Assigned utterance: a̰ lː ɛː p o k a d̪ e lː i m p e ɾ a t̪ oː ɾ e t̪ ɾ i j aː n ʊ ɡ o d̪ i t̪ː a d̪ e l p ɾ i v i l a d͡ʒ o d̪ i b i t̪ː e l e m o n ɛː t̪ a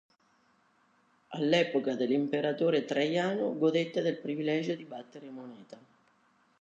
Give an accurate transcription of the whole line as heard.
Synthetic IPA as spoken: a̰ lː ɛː p o k a d̪ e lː i m p e ɾ a t̪ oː ɾ e t̪ ɾ a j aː n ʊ ɡ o d̪ e t̪ː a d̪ e l p ɾ i v i l ɛ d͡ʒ o d̪ i b a t̪ː e ɾ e m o n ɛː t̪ a